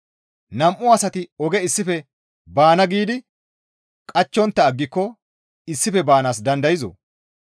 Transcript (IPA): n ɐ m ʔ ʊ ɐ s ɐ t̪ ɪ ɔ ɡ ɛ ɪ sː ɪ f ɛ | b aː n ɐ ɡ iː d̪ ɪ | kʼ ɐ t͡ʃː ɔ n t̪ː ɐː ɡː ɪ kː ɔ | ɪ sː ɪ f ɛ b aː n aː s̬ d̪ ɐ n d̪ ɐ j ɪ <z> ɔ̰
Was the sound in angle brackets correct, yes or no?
yes